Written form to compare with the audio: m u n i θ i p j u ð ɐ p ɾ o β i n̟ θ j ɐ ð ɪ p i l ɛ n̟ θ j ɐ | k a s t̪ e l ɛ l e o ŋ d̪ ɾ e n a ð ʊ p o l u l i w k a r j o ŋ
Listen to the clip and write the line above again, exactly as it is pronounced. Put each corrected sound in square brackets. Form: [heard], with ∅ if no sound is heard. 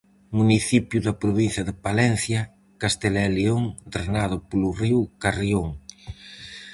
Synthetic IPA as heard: m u n i θ i p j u ð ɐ p ɾ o β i n̟ θ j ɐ ð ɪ p [a] l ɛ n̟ θ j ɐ | k a s t̪ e l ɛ l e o ŋ d̪ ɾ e n a ð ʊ p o l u [r] i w k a r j o ŋ